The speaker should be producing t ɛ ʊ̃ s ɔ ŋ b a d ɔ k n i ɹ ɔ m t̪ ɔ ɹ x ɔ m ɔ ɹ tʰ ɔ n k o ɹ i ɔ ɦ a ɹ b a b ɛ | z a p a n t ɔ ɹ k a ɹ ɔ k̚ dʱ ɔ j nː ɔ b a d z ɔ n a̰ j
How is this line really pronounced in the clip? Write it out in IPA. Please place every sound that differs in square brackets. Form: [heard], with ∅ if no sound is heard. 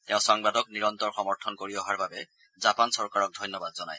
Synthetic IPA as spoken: t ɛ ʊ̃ s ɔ ŋ b a d ɔ k n i ɹ ɔ [n] t̪ ɔ ɹ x ɔ m ɔ ɹ tʰ ɔ n k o ɹ i ɔ ɦ a ɹ b a b ɛ | z a p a n [s] ɔ ɹ k a ɹ ɔ k̚ dʱ ɔ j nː ɔ b a d z ɔ n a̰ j